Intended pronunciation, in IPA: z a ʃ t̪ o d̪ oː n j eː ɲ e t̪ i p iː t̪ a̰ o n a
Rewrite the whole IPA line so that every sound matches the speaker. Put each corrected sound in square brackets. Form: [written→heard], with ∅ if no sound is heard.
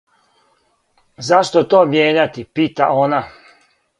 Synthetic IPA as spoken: z a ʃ t̪ o [d̪→t̪] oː [n→m] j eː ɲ [e→a] t̪ i p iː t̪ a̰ o n a